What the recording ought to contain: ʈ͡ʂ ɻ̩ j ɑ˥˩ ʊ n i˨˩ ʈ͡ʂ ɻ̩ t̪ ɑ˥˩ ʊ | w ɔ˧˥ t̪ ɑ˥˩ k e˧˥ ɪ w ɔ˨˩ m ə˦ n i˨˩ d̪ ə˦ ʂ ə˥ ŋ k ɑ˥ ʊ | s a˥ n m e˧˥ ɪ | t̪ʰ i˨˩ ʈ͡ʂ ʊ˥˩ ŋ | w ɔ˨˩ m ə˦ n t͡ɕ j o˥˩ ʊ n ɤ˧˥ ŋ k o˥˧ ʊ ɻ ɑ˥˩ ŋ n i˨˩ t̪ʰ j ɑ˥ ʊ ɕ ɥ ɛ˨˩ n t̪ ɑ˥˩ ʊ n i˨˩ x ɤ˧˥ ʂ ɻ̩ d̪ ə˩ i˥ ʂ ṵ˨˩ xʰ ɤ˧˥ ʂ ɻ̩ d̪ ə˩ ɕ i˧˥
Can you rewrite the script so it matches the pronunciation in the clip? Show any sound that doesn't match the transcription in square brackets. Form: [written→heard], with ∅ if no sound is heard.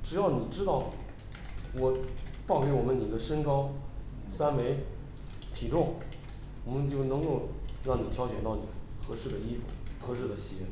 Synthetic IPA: ʈ͡ʂ ɻ̩ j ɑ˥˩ ʊ n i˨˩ ʈ͡ʂ ɻ̩ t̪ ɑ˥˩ ʊ | w [ɔ˧˥→ɔ˨˩] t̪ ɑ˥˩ k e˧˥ ɪ w ɔ˨˩ m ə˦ n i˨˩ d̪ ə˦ ʂ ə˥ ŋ k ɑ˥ ʊ | s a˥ n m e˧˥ ɪ | t̪ʰ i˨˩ ʈ͡ʂ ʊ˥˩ ŋ | w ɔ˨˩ m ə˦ n t͡ɕ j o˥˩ ʊ n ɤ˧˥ ŋ k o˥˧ ʊ ɻ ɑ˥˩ ŋ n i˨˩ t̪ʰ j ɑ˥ ʊ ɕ ɥ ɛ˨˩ n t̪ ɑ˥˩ ʊ n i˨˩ x ɤ˧˥ ʂ ɻ̩ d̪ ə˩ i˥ [ʂ→f] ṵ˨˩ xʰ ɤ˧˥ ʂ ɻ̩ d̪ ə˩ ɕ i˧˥